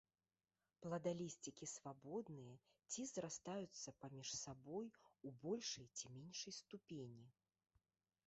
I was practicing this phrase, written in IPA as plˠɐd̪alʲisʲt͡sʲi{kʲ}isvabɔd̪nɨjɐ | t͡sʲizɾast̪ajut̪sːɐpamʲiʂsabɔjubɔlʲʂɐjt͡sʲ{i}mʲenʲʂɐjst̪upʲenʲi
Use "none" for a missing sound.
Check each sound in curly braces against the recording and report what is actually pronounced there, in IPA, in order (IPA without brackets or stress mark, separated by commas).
kʲ, i